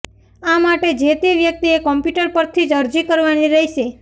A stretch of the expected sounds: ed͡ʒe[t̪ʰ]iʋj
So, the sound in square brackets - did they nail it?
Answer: no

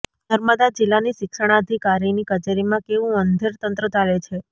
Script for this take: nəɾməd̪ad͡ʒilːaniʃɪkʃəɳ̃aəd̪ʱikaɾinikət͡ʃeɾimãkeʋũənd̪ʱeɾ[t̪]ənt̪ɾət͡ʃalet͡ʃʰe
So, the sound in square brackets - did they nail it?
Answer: yes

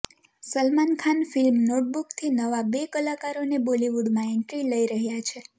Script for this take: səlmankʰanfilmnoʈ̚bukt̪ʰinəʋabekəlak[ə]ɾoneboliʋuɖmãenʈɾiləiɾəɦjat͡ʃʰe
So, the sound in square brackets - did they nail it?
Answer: no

